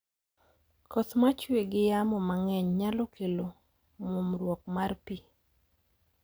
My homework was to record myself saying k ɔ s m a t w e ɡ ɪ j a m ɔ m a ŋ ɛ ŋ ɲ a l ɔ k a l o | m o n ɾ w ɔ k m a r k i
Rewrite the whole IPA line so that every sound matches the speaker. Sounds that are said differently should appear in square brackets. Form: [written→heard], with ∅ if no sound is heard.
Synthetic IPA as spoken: k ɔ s m a [t→t͡ʃ] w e ɡ ɪ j a m ɔ m a ŋ ɛ [ŋ→ɲ] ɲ a l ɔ k [a→e] l o | m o [n→m] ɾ w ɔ k m a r [k→p] i